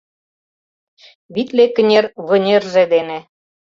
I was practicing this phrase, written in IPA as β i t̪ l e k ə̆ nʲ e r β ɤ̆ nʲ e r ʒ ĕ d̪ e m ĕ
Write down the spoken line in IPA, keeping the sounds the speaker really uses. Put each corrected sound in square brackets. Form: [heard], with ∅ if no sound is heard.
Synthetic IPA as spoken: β i t̪ l e k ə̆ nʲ e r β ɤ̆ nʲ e r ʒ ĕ d̪ e [n] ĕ